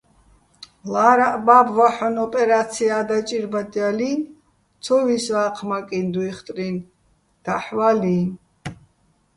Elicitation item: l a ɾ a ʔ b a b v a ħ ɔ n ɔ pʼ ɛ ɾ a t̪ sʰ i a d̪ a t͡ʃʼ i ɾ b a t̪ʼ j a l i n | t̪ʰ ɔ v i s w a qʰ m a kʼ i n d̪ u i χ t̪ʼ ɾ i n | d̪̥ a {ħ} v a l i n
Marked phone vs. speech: correct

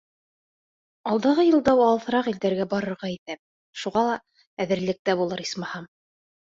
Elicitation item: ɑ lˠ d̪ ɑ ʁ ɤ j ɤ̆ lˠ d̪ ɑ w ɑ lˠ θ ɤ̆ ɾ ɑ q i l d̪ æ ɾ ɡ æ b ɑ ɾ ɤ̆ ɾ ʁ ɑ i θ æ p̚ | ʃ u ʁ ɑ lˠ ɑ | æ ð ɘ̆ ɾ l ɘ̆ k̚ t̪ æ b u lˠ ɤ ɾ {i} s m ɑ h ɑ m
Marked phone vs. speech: correct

